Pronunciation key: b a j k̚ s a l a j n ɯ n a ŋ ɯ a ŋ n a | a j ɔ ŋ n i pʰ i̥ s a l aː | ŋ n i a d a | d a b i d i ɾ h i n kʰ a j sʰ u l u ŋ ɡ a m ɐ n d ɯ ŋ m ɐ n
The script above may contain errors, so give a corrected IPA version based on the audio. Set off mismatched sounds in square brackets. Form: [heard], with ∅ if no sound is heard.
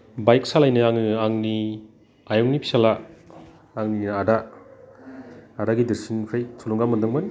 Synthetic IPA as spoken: b a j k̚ s a l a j n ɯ [∅] a ŋ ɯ a ŋ n [i] | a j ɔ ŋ n i pʰ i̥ s a l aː | ŋ n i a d a | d a [ɡ] i d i ɾ [s] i n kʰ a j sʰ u l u ŋ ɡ a m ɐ n d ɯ ŋ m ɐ n